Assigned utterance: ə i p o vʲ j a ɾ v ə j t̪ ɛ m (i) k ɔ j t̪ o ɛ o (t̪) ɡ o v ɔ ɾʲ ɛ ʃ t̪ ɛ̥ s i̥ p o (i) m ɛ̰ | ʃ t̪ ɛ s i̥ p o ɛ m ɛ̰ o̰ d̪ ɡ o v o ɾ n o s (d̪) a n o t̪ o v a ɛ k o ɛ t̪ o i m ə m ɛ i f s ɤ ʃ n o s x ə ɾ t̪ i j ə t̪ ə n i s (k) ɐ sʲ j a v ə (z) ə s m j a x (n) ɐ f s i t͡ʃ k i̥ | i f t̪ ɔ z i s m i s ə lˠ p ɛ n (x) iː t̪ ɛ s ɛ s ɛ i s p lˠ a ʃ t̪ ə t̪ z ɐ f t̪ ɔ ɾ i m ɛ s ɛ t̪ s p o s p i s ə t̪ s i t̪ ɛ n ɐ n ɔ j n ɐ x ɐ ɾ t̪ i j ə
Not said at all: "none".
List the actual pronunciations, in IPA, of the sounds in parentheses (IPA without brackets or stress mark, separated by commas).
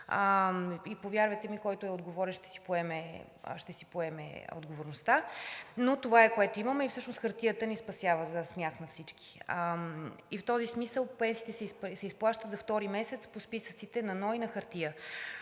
i, d̪, ɛ, t̪, p, z, n, s